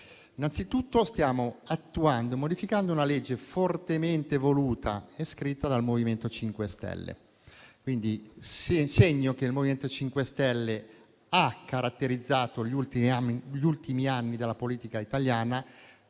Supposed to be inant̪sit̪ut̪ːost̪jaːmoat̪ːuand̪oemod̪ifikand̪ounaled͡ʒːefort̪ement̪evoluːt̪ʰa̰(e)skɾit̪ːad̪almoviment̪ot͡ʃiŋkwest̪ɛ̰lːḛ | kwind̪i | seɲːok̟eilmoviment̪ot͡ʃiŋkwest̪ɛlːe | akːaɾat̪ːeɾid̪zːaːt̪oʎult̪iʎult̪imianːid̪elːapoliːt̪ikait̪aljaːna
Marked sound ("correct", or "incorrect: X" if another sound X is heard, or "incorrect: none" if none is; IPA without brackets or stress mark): correct